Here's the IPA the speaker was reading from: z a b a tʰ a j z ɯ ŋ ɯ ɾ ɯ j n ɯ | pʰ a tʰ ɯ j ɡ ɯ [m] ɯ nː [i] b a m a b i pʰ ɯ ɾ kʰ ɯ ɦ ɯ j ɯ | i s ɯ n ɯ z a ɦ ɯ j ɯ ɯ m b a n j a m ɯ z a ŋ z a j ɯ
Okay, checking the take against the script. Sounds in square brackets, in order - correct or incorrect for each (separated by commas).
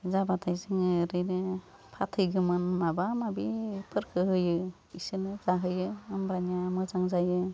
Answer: correct, incorrect